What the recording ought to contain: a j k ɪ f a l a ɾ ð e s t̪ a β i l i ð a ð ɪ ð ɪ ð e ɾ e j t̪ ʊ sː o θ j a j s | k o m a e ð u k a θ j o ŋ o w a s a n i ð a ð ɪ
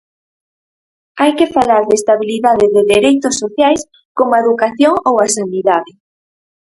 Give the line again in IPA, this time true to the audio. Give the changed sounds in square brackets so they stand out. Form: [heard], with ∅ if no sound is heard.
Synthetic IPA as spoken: a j k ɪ f a l a ɾ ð e s t̪ a β i l i ð a ð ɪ ð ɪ ð e ɾ e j t̪ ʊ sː o θ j a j s | k o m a e ð u k a θ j o ŋ o w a s a n i ð a ð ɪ